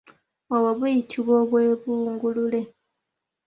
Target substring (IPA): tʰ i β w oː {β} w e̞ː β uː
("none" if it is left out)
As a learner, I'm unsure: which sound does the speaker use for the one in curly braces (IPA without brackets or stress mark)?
β